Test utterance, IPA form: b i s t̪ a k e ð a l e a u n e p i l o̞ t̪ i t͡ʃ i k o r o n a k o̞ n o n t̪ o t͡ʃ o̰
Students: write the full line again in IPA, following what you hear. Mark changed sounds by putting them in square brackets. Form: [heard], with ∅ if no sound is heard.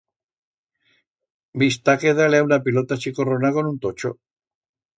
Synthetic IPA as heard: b i s t̪ a k e ð a l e a u n [a] p i l o̞ t̪ [a] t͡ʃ i k o r o n a k o̞ n [u] n t̪ o t͡ʃ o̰